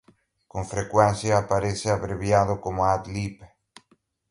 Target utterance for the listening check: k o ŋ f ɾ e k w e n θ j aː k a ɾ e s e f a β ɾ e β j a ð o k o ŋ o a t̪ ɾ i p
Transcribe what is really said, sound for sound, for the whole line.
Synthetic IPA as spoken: k o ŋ f ɾ e k w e n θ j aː p a ɾ e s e a β ɾ e β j a ð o k o m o a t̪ l i p